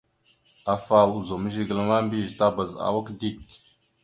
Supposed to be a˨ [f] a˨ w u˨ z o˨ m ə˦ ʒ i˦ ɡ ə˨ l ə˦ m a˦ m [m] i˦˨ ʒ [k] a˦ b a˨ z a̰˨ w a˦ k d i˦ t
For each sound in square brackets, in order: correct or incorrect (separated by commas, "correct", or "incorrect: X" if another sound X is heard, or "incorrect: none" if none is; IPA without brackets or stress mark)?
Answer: correct, incorrect: b, incorrect: t